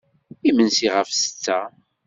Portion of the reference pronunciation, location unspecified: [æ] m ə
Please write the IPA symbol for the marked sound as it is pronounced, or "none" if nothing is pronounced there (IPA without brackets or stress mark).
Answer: i